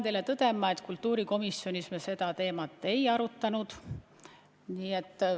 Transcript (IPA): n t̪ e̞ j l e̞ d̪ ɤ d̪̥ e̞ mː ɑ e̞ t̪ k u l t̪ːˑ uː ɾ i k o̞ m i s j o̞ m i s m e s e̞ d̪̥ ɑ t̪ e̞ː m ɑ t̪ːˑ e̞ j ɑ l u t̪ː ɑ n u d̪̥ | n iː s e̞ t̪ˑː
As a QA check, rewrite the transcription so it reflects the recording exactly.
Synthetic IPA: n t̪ e̞ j l e̞ t̪ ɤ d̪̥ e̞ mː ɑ e̞ t̪ k u l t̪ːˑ uː ɾ i k o̞ m i s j o̞ n i s m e s e̞ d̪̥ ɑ t̪ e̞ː m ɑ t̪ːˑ e̞ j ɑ ɾ u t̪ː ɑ n u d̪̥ | n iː e̞ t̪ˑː